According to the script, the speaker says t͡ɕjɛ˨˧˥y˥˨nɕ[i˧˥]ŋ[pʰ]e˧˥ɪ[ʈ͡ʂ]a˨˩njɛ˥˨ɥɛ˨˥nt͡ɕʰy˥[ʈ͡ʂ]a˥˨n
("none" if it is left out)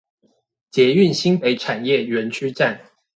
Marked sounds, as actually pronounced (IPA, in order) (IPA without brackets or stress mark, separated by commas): i˥, p, ʈ͡ʂʰ, ʈ͡ʂ